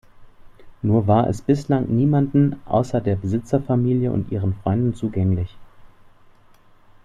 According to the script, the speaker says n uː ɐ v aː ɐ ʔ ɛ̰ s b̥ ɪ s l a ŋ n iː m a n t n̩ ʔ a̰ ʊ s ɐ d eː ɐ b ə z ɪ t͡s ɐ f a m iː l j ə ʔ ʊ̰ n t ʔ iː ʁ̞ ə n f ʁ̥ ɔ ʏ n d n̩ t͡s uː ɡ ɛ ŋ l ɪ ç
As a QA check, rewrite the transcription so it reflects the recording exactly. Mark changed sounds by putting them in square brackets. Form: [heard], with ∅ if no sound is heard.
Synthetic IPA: n uː ɐ v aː ɐ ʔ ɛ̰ s b̥ ɪ s l a ŋ n iː m a n [d] n̩ ʔ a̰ ʊ s ɐ d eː ɐ b ə z ɪ t͡s ɐ f a m iː l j ə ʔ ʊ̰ n t ʔ iː ʁ̞ ə n f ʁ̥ ɔ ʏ n d n̩ t͡s uː ɡ ɛ ŋ l ɪ ç